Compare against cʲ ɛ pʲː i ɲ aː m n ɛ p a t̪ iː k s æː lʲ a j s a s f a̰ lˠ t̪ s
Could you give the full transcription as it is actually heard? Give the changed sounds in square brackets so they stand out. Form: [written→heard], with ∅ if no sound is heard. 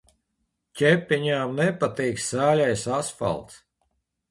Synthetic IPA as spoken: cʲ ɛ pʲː i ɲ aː m n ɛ p a t̪ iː k s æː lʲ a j s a s f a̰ lˠ t̪ s